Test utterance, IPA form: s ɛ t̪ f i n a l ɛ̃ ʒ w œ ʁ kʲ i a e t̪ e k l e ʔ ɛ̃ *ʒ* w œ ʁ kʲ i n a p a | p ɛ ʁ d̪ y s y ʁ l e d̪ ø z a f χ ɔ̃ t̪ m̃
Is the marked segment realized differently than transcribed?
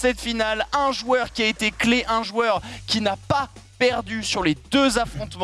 no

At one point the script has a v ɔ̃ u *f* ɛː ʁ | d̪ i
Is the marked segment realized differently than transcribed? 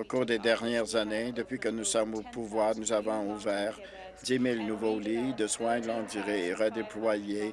yes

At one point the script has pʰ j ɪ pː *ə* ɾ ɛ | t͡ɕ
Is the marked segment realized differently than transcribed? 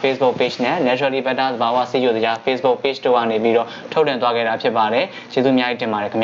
yes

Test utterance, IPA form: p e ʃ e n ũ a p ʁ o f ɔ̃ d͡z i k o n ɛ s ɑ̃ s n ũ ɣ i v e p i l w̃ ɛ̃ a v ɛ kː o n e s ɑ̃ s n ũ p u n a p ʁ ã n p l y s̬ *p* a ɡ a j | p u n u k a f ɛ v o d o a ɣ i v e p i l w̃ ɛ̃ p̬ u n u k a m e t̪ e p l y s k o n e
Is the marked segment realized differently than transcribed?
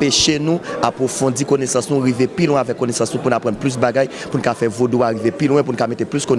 yes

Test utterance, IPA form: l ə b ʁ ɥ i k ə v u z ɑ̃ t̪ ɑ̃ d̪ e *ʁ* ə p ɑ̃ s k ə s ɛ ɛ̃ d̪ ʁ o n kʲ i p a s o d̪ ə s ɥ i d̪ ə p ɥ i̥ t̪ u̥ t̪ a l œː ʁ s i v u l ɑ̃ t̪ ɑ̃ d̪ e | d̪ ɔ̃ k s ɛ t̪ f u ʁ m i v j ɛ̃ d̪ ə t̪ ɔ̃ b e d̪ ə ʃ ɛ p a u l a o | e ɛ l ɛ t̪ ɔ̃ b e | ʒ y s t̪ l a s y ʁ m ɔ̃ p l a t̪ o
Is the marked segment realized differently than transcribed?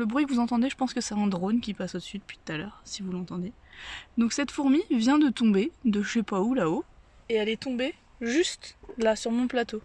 yes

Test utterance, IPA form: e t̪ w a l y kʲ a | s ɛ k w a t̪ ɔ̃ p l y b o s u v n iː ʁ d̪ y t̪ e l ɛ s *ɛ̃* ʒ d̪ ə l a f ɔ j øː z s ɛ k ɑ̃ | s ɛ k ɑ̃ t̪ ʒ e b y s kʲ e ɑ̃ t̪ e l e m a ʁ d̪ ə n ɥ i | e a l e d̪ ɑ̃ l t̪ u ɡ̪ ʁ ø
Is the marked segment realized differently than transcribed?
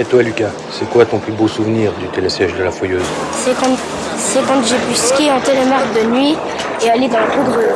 yes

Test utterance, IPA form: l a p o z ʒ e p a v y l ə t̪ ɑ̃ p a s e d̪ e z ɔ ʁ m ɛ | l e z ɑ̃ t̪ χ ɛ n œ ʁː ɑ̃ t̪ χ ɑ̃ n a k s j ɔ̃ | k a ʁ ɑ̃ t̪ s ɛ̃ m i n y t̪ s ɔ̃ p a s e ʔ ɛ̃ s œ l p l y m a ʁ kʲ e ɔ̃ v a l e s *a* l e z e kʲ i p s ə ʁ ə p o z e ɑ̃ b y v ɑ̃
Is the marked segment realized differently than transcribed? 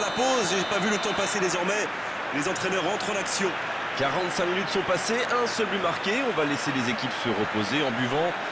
yes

